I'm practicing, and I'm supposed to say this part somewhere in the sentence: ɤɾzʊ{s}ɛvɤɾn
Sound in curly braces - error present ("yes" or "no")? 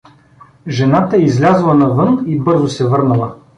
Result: no